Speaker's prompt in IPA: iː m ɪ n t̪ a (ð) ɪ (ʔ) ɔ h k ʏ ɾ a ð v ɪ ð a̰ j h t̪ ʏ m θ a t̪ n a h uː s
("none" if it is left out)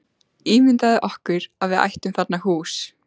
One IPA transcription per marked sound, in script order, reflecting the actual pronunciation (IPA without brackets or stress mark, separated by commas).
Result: ð, ʔ